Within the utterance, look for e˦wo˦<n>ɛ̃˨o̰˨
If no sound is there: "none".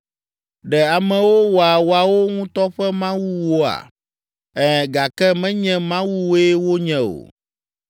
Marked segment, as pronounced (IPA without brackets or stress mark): ɲ